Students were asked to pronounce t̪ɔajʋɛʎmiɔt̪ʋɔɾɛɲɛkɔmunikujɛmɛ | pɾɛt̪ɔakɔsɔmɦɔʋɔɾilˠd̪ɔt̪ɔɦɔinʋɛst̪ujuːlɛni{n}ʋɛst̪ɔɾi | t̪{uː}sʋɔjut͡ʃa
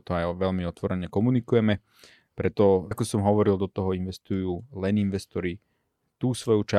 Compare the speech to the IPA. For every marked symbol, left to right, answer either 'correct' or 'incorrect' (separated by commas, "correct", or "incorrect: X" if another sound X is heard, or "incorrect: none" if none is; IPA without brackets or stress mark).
correct, correct